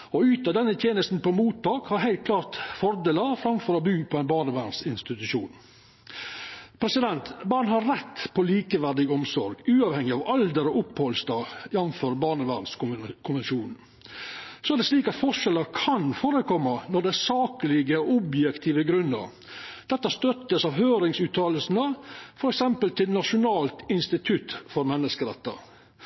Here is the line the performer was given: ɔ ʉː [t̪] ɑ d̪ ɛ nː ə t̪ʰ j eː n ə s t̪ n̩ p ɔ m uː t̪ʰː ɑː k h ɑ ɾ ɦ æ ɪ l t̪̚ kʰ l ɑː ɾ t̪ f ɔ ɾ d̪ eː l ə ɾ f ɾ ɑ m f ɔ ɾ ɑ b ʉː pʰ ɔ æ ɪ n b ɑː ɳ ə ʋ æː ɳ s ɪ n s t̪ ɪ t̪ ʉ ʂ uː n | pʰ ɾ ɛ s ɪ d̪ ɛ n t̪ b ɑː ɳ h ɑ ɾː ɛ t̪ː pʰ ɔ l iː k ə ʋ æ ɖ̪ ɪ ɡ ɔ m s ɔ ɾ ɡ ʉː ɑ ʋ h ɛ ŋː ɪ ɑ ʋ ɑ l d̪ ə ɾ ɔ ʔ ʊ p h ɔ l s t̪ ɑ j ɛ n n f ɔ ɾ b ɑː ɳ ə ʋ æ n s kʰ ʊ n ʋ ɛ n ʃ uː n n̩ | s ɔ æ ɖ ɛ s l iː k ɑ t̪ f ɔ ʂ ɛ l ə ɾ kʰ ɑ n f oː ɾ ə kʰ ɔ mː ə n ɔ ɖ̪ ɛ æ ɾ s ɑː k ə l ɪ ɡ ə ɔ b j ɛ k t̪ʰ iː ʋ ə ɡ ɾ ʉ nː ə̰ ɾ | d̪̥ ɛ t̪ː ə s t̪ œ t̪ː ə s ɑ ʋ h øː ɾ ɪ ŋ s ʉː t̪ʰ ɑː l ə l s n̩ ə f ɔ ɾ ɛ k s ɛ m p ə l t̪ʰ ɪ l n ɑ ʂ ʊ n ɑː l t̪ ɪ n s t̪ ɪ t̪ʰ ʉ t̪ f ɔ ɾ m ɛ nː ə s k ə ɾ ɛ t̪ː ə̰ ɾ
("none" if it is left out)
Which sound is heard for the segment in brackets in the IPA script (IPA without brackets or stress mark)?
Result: t̪